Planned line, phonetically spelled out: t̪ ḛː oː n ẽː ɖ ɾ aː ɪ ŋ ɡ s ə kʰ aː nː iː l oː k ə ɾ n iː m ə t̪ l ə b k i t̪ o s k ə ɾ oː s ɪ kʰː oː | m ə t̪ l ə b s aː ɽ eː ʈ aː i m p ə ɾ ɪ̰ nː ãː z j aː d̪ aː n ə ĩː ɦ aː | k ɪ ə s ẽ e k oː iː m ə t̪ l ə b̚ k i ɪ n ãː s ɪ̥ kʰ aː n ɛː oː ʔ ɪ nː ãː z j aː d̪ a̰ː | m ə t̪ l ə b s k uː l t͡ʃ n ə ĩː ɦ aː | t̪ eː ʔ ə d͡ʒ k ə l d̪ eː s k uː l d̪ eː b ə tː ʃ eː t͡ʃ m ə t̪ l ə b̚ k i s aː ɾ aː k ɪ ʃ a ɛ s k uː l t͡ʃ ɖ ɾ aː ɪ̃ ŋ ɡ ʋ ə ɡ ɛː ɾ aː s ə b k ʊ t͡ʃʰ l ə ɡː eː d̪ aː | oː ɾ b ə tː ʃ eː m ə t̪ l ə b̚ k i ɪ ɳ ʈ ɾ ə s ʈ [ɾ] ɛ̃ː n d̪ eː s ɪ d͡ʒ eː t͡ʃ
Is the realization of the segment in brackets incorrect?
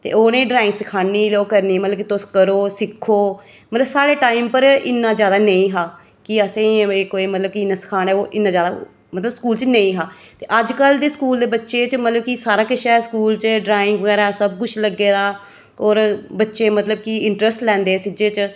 yes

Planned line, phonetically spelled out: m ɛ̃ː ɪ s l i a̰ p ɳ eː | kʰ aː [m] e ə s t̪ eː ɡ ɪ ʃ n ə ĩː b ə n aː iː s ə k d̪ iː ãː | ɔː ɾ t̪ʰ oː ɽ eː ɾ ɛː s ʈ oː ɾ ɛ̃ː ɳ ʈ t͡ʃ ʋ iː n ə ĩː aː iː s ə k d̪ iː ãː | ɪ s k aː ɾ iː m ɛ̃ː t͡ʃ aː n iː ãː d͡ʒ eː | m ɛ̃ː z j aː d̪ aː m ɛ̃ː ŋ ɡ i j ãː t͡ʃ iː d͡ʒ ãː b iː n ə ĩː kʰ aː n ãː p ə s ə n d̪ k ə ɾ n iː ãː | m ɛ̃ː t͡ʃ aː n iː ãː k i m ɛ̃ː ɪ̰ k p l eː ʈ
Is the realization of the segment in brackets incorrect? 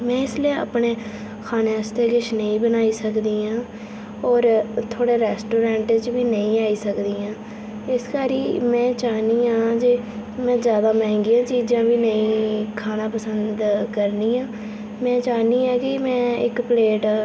yes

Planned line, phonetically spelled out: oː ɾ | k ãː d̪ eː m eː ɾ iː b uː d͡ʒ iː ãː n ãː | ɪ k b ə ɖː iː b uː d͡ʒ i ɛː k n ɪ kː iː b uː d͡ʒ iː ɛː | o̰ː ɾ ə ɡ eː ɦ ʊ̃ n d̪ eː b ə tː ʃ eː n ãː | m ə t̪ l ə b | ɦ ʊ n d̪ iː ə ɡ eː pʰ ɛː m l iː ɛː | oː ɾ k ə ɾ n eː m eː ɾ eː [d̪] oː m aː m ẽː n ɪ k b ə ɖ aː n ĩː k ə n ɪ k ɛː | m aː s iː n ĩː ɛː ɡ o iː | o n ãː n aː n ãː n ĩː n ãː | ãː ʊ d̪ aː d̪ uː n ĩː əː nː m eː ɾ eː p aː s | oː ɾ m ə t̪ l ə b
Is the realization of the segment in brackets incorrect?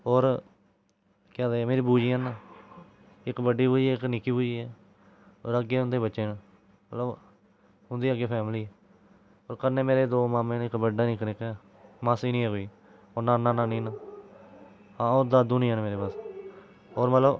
no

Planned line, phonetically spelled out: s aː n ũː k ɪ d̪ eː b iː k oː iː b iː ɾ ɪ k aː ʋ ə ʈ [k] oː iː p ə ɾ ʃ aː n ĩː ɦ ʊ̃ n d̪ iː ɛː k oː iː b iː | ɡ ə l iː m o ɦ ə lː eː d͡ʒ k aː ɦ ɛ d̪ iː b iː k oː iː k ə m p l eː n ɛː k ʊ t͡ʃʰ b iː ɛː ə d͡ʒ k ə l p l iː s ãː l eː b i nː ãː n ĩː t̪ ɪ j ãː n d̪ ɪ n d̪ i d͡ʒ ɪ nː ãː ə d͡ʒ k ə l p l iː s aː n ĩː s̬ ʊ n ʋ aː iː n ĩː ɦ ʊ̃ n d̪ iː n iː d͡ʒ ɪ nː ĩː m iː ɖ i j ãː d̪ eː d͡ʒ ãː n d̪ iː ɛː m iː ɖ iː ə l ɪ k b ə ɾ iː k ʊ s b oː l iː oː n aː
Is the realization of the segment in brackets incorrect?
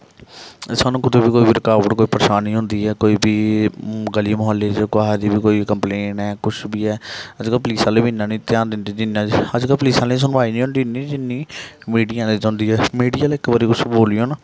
no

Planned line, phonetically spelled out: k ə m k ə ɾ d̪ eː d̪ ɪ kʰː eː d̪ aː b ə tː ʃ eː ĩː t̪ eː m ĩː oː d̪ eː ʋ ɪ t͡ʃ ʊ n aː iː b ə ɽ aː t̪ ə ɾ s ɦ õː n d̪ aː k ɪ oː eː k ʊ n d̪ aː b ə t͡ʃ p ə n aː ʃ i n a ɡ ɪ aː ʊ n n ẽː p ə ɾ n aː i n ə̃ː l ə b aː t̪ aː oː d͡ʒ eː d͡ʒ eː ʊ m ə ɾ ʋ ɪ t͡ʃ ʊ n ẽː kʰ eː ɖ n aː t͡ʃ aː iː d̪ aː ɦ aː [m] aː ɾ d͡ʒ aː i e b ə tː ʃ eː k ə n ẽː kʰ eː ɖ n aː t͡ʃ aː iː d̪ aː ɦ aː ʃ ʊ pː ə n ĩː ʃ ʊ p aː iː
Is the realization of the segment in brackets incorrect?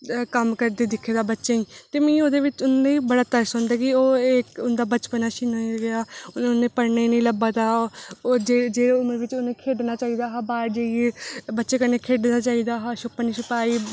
yes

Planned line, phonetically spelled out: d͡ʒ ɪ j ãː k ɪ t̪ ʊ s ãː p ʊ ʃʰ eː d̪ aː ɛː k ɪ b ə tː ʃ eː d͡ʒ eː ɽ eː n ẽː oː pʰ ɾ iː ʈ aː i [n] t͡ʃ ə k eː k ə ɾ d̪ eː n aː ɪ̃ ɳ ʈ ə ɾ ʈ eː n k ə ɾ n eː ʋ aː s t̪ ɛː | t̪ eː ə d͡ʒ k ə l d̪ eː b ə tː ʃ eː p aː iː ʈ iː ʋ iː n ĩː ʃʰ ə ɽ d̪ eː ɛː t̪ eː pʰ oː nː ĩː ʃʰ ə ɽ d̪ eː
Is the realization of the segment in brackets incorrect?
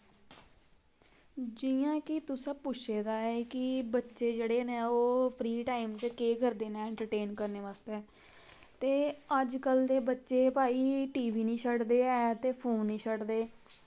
yes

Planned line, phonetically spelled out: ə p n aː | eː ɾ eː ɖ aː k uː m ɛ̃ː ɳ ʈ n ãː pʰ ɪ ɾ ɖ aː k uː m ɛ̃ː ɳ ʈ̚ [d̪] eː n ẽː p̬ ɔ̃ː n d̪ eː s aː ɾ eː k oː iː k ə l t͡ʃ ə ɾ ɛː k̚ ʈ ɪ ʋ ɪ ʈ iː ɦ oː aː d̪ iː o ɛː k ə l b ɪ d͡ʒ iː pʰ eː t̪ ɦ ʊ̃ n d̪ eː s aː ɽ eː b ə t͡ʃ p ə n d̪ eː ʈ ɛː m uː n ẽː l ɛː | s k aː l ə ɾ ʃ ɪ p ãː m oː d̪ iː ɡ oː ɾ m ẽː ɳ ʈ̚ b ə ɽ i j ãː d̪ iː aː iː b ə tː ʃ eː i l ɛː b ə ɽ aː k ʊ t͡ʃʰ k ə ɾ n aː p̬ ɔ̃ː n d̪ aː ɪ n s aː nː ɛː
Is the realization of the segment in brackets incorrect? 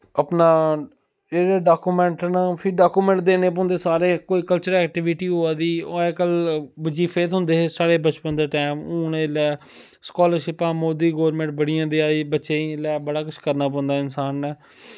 no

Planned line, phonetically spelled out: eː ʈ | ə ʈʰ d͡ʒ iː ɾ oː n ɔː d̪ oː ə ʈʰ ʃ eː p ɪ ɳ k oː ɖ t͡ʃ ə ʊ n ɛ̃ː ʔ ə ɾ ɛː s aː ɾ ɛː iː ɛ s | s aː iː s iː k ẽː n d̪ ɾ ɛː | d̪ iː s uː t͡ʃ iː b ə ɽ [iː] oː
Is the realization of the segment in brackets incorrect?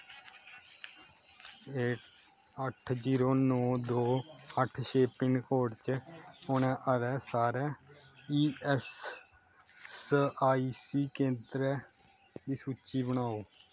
yes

